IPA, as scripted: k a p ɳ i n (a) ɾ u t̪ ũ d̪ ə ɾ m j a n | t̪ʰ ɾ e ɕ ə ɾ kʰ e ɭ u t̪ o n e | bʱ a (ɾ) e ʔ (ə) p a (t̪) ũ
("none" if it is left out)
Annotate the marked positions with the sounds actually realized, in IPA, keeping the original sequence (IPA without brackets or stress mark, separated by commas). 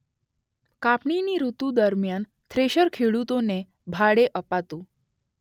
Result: i, ɽ, ə, t̪